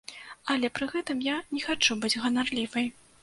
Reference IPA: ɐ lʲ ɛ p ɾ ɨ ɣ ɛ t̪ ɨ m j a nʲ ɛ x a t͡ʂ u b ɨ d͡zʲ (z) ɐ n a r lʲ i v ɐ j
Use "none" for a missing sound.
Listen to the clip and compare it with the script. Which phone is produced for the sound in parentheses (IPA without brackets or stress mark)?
ɣ